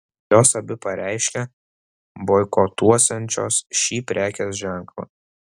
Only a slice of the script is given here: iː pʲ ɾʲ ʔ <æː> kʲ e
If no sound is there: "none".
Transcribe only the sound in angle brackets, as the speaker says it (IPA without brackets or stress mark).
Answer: æː